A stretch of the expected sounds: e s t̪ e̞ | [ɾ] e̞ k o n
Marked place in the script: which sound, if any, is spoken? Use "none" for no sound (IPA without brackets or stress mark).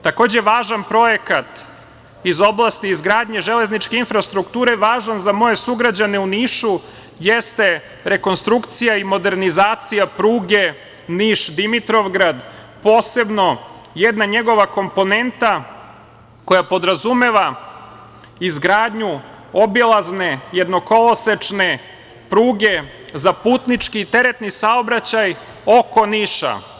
ɾ